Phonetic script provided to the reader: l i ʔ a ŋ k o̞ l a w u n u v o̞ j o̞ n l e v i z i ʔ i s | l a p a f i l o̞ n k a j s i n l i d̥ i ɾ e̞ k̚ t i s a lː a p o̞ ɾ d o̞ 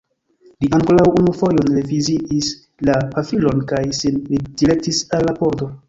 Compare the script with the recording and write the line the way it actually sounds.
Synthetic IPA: l i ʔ a ŋ k o̞ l a w u n u f o̞ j o̞ n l e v i z i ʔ i s | l a p a f i l o̞ n k a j s i n l i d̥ i ɾ e̞ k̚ t i s a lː a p o̞ ɾ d o̞